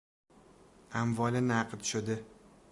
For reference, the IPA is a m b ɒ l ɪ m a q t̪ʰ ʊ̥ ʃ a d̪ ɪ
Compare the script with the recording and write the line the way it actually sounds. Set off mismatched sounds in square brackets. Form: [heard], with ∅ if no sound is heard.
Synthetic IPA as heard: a m [v] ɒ l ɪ [n] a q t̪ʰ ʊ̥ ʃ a d̪ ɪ